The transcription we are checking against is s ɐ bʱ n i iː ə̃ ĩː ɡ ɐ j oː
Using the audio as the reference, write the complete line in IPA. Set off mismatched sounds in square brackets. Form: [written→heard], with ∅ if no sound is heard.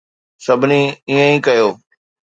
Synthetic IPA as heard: s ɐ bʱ n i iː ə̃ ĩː [ɡ→k] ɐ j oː